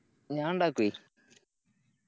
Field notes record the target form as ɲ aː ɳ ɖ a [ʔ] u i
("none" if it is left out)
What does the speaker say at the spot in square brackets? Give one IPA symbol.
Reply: k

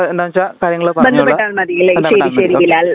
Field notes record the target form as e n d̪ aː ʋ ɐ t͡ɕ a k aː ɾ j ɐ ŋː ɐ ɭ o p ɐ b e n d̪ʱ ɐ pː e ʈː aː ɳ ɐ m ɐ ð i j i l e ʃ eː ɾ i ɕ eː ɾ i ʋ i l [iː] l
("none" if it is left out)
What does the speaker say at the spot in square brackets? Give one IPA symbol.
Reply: aː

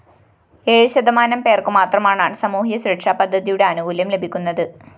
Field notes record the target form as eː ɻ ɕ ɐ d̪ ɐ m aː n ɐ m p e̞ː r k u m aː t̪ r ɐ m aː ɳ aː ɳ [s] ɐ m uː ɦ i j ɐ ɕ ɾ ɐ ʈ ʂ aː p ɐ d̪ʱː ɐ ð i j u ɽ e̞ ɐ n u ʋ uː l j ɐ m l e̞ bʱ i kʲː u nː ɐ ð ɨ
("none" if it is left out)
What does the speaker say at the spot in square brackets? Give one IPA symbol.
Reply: s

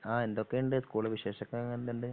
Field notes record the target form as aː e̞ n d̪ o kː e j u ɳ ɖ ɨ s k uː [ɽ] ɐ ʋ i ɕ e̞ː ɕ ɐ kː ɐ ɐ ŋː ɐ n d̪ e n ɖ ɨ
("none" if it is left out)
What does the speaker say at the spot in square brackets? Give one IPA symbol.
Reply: ɭ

